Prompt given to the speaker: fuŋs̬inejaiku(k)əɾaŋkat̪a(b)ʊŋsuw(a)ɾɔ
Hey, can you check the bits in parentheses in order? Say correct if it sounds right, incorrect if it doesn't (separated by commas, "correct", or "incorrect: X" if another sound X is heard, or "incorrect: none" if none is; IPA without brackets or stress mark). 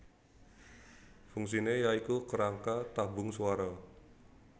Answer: correct, correct, correct